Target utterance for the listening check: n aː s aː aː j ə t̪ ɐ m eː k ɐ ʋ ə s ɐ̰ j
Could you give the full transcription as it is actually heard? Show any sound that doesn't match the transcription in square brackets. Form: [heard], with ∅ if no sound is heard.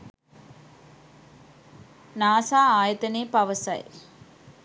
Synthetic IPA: n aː s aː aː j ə t̪ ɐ [n] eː [p] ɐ ʋ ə s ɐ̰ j